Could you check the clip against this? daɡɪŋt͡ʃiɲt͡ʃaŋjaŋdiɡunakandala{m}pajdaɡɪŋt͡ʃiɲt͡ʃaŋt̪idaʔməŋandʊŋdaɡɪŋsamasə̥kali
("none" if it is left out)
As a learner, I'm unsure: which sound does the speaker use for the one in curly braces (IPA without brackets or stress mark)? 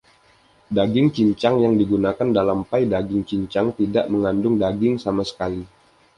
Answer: m